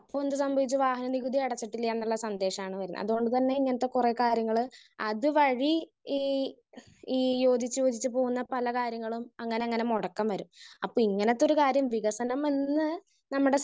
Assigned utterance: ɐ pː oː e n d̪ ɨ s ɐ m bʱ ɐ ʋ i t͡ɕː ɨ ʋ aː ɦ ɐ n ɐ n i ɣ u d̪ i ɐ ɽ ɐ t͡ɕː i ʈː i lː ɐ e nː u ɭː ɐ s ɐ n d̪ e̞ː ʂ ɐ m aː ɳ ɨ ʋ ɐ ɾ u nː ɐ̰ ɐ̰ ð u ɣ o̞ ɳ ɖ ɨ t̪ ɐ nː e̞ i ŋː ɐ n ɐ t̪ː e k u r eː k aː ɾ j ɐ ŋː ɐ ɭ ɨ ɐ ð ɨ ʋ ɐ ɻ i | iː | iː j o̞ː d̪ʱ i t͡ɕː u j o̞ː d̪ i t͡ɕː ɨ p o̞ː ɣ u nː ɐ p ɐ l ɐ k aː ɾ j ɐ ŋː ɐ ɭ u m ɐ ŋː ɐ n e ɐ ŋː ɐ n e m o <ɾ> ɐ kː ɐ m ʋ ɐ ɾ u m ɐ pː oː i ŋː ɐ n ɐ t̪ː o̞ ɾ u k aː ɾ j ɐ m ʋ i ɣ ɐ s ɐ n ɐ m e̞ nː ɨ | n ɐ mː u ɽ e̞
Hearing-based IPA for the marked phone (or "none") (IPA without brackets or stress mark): ɽ